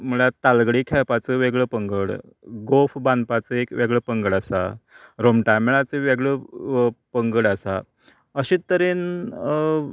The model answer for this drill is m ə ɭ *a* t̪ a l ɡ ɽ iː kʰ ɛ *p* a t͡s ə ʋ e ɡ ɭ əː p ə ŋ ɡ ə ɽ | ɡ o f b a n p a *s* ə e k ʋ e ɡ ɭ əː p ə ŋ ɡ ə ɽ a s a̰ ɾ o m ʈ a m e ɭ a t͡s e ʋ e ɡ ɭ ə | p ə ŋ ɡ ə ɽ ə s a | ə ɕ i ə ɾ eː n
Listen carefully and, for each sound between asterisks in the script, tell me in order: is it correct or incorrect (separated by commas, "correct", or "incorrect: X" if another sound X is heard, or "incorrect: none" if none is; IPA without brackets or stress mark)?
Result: correct, correct, incorrect: t͡s